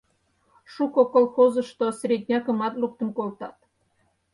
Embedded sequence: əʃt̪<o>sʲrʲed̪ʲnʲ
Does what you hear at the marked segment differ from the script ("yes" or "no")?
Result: no